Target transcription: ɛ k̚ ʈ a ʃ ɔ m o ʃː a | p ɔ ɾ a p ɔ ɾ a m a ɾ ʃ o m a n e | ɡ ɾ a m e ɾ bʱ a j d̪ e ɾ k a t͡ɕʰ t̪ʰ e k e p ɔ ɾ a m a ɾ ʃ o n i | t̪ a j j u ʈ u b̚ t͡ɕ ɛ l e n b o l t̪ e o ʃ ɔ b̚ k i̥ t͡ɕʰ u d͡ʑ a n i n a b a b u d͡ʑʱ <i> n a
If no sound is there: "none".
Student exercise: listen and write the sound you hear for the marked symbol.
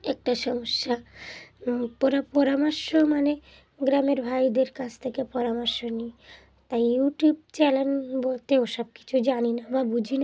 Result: i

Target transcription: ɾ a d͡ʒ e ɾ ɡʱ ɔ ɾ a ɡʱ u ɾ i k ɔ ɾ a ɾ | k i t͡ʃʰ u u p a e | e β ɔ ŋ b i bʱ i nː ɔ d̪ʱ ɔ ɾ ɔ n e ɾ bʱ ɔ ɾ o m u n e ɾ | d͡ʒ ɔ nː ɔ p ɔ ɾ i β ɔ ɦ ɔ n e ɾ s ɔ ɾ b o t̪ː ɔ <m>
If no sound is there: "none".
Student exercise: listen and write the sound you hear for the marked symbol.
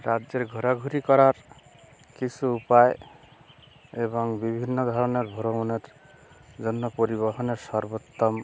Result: m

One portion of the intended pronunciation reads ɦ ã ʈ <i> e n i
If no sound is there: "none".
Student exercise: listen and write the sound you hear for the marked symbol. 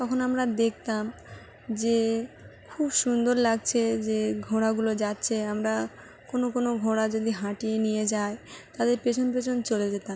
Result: i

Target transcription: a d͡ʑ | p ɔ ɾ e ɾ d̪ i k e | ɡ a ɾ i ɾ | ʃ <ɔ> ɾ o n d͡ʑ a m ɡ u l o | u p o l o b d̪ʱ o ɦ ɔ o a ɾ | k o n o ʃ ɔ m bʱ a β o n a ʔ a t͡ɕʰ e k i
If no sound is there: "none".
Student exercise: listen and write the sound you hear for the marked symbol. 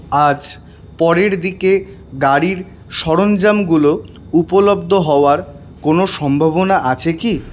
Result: ɔ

